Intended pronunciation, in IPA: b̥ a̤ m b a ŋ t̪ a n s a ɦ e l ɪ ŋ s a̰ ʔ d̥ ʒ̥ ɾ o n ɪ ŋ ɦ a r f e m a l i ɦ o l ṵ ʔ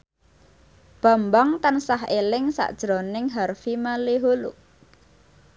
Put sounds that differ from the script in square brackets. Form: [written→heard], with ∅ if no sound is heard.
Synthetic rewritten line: b̥ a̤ m b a ŋ t̪ a n s a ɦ e l ɪ ŋ s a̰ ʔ d̥ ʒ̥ ɾ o n ɪ ŋ ɦ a r f [e→i] m a l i ɦ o l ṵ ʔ

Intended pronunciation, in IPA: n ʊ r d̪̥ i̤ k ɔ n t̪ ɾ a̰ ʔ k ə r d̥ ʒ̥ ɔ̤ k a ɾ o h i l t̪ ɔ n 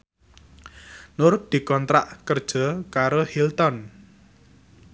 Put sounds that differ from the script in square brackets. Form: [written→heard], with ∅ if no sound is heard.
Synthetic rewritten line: n ʊ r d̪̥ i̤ k ɔ n t̪ ɾ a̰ ʔ k ə r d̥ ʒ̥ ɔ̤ k a ɾ o h i l t̪ ɔ n

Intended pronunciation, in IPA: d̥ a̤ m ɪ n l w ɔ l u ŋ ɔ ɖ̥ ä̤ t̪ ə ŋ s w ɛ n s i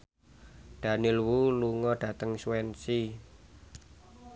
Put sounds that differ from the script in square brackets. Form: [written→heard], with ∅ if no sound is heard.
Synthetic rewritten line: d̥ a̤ [m→n] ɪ [n→∅] l w [ɔ→u] l u ŋ ɔ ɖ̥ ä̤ t̪ ə ŋ s w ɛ n s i

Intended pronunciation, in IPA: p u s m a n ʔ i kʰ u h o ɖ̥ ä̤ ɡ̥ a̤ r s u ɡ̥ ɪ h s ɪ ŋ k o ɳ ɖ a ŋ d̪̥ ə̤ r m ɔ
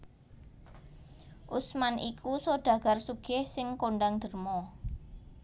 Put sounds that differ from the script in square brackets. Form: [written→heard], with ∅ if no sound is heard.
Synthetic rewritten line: [p→ʔ] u s m a n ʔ i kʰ u [h→s] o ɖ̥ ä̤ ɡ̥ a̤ r s u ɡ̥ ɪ h s ɪ ŋ k o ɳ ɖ a ŋ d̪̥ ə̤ r m ɔ

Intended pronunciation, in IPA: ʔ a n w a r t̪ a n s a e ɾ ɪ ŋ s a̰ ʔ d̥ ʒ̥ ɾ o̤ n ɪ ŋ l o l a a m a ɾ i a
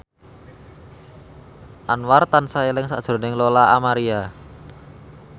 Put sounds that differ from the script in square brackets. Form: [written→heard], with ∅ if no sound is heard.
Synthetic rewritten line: ʔ a n w a r t̪ a n s a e [ɾ→l] ɪ ŋ s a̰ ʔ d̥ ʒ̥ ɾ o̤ n ɪ ŋ l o l a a m a ɾ i a

